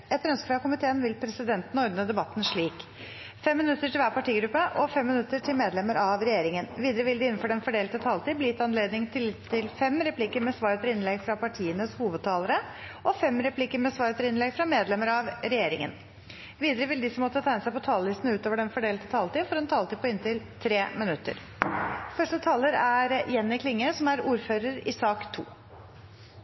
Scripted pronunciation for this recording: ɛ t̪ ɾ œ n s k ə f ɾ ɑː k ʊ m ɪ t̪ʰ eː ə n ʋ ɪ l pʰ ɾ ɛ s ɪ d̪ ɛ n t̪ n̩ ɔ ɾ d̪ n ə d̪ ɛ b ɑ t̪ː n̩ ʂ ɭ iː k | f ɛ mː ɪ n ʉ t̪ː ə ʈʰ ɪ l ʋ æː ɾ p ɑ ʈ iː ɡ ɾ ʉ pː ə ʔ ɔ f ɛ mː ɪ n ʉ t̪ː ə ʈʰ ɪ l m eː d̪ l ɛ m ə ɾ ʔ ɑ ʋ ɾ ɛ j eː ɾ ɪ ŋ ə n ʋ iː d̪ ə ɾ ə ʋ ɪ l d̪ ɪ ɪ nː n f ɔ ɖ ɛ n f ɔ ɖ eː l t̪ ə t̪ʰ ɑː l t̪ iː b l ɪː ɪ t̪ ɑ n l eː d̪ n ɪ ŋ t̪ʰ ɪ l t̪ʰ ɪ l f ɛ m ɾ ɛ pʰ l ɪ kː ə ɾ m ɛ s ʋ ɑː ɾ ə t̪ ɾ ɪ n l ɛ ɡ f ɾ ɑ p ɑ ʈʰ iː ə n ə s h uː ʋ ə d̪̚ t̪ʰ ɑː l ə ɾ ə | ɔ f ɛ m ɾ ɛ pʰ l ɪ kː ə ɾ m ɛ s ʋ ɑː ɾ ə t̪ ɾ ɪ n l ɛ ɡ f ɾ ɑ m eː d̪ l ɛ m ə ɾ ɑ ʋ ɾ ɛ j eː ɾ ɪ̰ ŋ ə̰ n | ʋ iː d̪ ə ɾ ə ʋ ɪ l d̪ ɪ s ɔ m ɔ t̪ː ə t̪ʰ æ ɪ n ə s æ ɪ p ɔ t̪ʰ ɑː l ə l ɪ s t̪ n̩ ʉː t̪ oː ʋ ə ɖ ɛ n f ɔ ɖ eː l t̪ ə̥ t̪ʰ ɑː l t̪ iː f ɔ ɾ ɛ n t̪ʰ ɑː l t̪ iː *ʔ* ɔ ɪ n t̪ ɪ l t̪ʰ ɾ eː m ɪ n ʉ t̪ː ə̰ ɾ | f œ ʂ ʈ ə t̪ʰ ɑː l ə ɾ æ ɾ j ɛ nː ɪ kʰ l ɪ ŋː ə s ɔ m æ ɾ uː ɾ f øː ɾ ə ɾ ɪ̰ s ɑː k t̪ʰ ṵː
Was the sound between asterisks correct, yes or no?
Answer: no